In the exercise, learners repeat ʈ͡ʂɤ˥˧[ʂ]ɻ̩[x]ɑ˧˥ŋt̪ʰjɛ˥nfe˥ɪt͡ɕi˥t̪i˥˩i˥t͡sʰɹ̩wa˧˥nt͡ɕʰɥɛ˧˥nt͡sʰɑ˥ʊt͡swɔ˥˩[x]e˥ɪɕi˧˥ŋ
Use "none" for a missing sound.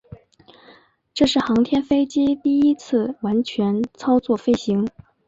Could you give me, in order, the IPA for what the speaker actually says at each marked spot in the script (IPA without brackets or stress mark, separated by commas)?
ʂ, x, f